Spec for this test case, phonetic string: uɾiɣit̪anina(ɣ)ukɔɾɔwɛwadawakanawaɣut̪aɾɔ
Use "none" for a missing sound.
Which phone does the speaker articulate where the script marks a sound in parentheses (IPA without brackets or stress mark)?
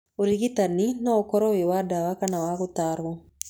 none